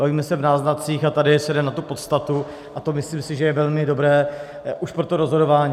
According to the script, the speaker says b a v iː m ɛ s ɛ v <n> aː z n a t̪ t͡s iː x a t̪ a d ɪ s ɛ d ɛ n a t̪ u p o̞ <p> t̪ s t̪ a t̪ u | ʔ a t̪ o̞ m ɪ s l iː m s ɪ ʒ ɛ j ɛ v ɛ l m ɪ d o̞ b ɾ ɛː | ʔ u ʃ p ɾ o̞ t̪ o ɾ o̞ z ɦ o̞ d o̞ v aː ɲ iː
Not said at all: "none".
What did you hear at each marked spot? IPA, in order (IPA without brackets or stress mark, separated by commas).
n, none